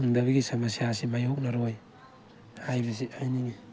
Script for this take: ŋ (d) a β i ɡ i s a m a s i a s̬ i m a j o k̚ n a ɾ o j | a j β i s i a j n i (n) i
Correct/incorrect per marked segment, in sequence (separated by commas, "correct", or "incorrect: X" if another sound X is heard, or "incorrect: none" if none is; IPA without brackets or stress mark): correct, incorrect: ŋ